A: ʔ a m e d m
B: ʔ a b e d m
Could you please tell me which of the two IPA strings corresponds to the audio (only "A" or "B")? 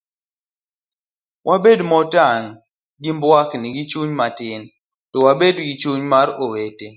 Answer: B